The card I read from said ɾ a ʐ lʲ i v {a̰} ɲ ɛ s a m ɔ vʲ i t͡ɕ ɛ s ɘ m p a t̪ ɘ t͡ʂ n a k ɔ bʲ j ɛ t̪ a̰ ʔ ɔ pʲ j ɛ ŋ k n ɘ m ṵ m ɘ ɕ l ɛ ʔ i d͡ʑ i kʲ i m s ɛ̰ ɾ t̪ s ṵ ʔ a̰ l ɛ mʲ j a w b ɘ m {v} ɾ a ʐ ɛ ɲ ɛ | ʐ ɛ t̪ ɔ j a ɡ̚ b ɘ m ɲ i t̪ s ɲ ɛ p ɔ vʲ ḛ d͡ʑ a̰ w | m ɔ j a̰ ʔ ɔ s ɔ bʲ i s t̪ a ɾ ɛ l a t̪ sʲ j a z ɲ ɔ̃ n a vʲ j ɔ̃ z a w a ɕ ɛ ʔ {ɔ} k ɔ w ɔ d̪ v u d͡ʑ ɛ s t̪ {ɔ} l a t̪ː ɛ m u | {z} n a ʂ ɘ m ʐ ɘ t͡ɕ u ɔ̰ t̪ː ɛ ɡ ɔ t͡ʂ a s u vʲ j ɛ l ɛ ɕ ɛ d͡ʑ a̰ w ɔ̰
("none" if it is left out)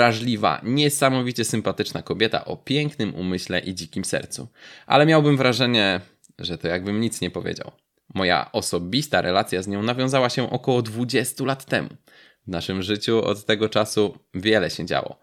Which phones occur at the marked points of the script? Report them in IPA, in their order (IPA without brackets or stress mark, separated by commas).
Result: a̰, v, ɔ, u, v